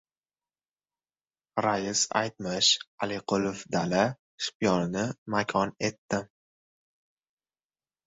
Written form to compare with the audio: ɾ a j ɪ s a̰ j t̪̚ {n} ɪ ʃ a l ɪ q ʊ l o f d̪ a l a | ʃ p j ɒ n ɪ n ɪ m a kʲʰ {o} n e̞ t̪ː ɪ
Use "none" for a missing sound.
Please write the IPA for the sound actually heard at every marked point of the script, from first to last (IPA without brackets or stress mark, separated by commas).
m, ɒ